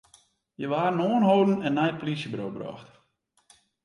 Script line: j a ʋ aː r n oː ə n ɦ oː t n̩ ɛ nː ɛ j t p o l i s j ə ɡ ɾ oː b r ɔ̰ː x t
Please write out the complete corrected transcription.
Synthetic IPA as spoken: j ə ʋ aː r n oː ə n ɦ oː d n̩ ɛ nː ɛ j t p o l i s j ə b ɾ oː b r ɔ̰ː x t